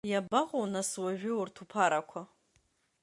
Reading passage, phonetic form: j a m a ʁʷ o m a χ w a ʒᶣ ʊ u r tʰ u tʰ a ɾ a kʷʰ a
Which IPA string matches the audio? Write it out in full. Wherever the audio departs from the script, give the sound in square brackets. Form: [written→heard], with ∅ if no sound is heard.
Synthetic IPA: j a [m→b] a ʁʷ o [m→n] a [χ→s] w a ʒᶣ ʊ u r tʰ u [tʰ→pʰ] a ɾ a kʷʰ a